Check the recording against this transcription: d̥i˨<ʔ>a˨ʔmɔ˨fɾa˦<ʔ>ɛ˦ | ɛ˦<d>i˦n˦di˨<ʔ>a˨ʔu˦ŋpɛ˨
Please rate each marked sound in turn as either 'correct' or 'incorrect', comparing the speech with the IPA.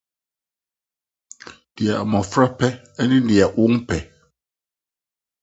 incorrect: none, incorrect: p, incorrect: n, incorrect: none

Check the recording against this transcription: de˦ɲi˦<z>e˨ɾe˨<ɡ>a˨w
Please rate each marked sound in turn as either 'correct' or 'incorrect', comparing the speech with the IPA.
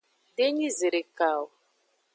correct, incorrect: k

